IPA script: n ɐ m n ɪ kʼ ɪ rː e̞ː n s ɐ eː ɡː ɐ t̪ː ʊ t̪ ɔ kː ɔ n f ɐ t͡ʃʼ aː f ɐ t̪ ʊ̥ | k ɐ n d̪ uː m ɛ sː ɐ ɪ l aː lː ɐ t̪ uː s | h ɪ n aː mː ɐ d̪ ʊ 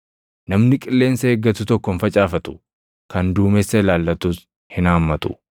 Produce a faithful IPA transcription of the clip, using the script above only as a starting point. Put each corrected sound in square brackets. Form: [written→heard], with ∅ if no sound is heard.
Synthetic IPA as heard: n ɐ m n ɪ kʼ ɪ [rː→lː] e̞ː n s ɐ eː ɡː ɐ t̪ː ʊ t̪ ɔ kː ɔ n f ɐ t͡ʃʼ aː f ɐ t̪ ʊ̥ | k ɐ n d̪ uː m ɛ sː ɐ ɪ l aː lː ɐ t̪ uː s | h ɪ n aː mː ɐ [d̪→t̪] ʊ